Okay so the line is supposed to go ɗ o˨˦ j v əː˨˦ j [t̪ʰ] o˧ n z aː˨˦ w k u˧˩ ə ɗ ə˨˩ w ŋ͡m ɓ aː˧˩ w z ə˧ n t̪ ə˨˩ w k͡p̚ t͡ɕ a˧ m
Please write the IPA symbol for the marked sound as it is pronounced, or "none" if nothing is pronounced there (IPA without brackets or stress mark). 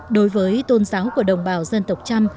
t̪